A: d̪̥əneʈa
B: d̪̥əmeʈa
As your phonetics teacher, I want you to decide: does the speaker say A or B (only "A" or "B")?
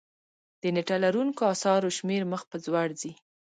A